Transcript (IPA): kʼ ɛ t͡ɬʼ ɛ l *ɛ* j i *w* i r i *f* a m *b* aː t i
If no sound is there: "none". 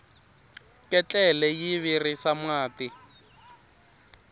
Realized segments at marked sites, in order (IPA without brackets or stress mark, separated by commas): ɛ, β, s, w